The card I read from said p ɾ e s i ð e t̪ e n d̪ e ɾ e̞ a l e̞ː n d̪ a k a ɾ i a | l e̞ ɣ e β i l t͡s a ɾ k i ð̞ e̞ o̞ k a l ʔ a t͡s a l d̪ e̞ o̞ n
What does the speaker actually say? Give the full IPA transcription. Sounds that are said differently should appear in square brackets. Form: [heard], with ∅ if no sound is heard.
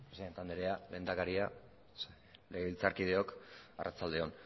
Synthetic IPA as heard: p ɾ e s i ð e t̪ [a] n d̪ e ɾ e̞ a l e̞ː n d̪ a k a ɾ i a | l e̞ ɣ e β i l t͡s a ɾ k i ð̞ e̞ o̞ k a [r] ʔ a t͡s a l d̪ e̞ o̞ n